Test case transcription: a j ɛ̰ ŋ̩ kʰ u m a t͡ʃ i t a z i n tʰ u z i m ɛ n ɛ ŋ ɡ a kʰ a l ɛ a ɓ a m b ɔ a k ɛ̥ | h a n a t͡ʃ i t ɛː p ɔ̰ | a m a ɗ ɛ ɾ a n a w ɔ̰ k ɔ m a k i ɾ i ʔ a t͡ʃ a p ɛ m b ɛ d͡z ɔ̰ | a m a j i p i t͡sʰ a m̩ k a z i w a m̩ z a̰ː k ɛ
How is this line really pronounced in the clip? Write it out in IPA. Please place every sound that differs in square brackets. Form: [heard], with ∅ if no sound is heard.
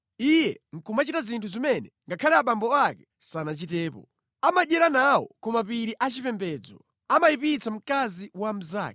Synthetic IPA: [i] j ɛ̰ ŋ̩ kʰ u m a t͡ʃ i t a z i n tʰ u z i m ɛ n ɛ ŋ ɡ a kʰ a l ɛ a ɓ a m b ɔ a k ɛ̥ | [s] a n a t͡ʃ i t ɛː p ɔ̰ | a m a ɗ ɛ ɾ a n a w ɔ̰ k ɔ m a [p] i ɾ i ʔ a t͡ʃ [i] p ɛ m b ɛ d͡z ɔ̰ | a m a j i p i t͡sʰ a m̩ k a z i w a m̩ z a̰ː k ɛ

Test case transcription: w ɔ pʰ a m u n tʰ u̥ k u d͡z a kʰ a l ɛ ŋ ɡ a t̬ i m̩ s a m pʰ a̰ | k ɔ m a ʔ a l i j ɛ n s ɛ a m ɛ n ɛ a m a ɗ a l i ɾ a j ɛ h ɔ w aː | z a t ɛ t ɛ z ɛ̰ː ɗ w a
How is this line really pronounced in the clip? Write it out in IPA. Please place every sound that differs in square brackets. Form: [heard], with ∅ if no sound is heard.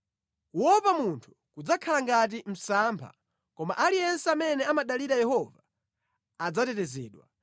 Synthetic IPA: w ɔ [p] a m u n tʰ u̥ k u d͡z a kʰ a l [a] ŋ ɡ a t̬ i m̩ s a m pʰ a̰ | k ɔ m a ʔ a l i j ɛ n s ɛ a m ɛ n ɛ a m a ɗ a l i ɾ a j ɛ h ɔ [v] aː | [d͡z] a t ɛ t ɛ z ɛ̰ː ɗ w a

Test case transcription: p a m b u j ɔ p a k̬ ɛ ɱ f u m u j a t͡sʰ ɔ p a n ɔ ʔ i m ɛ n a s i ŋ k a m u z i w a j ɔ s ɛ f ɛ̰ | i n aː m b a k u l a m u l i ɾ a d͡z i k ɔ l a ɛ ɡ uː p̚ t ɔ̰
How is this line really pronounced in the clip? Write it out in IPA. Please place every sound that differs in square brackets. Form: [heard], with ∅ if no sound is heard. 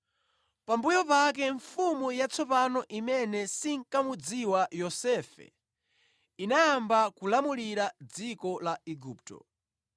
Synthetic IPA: p a m b u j ɔ p a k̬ ɛ ɱ f u m u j a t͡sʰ ɔ p a n ɔ ʔ i m ɛ n [ɛ] s i ŋ k a m u [d͡z] i w a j ɔ s ɛ f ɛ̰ | i n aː m b a k u l a m u l i ɾ a d͡z i k ɔ l a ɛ ɡ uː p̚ t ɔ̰

